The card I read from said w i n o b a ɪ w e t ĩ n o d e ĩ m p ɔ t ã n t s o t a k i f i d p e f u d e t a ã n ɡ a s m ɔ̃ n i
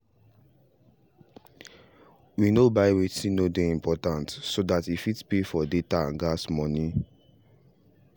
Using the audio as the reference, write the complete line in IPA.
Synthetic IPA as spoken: w i n o b a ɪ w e t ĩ n o d e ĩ m p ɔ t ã n t s o d a t i f i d p e f ɔ d e t a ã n ɡ a s m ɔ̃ n i